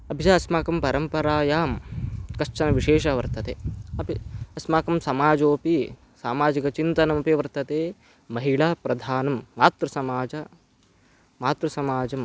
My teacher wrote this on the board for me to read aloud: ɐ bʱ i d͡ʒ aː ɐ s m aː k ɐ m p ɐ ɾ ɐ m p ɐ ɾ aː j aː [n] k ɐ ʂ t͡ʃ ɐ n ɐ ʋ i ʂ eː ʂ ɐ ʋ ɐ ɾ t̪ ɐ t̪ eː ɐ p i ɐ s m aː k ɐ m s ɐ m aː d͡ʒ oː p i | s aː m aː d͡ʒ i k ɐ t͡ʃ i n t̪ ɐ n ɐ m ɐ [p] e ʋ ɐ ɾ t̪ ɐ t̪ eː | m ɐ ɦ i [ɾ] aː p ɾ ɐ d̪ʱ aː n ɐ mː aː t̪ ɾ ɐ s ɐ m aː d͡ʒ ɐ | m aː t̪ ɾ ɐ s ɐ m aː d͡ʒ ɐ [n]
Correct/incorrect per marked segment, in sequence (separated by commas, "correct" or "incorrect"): incorrect, correct, incorrect, incorrect